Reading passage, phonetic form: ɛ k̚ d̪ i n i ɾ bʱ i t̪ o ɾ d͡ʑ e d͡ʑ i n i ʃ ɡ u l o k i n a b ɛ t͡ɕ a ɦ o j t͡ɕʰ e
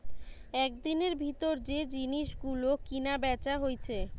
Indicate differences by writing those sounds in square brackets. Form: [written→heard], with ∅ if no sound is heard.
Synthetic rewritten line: ɛ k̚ d̪ i n [i→e] ɾ bʱ i t̪ o ɾ d͡ʑ e d͡ʑ i n i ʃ ɡ u l o k i n a b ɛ t͡ɕ a ɦ o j t͡ɕʰ e